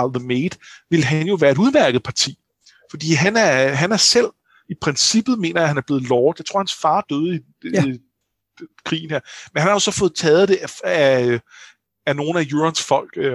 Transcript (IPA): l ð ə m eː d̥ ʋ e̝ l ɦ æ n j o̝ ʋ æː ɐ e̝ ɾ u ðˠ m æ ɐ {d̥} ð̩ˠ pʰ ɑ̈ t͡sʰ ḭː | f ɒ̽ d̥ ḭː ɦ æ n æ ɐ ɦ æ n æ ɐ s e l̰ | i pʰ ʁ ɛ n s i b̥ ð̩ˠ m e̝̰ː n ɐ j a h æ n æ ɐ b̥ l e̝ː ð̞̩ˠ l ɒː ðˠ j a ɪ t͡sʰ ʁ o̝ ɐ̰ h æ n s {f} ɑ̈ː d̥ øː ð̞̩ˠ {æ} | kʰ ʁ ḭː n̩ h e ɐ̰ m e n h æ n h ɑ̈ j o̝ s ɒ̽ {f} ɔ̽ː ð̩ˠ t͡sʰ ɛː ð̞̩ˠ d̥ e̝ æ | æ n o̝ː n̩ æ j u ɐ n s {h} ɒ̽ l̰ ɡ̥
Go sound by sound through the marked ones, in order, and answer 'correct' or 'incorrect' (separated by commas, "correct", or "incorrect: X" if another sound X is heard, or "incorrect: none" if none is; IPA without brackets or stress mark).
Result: incorrect: ɡ̥, correct, incorrect: i, correct, incorrect: f